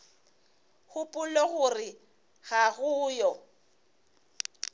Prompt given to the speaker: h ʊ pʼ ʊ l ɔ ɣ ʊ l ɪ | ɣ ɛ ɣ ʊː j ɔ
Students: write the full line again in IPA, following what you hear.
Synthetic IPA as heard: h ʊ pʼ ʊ l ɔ ɣ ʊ r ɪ | ɣ a ɣ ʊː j ɔ

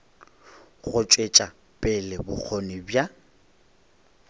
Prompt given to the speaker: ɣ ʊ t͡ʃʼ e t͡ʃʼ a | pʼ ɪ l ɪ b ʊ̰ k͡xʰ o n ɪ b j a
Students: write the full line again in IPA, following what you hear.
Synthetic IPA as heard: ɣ ʊ t͡ʃʼ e t͡ʃʼ a | pʼ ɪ l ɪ b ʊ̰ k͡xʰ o n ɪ b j a

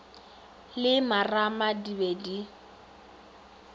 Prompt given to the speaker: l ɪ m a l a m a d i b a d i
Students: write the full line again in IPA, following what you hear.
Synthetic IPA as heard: l ɪ m a r a m a d i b e d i

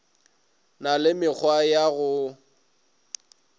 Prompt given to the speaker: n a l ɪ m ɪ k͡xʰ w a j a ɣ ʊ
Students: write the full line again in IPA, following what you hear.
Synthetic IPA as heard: n a l ɪ m ɪ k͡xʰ w a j a ɣ ʊ

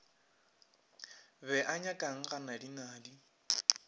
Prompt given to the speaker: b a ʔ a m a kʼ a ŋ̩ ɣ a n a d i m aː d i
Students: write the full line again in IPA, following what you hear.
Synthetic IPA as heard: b ɛ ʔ a ɲ a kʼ a ŋ̩ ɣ a n a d i n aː d i

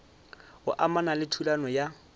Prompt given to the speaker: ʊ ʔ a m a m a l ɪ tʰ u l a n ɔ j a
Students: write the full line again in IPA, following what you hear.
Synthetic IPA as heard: ʊ ʔ a m a n a l ɪ tʰ u l a n ɔ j a

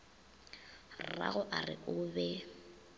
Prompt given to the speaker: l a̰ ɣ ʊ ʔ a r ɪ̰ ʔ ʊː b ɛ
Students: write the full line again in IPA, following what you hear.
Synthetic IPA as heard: r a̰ ɣ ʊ ʔ a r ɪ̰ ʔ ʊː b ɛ

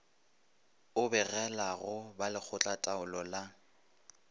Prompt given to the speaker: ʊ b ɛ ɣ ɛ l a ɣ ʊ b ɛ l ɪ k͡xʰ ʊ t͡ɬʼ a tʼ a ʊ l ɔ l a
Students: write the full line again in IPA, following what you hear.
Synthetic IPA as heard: ʊ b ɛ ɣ ɛ l a ɣ ʊ b a l ɪ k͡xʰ ʊ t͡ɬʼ a tʼ a ʊ l ɔ l a

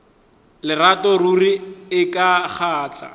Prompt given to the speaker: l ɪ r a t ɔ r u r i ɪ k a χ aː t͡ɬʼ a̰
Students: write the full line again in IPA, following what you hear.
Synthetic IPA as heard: l ɪ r a t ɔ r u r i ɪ k a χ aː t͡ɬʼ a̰

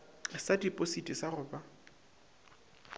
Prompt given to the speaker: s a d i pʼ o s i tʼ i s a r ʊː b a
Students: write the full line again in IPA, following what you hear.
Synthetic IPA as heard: s a d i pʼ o s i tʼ i s a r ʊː b a

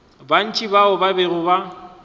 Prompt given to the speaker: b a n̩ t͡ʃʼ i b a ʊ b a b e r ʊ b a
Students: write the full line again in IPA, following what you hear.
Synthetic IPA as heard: b a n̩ t͡ʃʼ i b a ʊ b a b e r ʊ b a

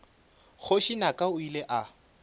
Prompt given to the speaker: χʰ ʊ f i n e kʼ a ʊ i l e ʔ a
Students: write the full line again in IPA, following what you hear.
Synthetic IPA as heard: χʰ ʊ ʃ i n a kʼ a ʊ i l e ʔ a

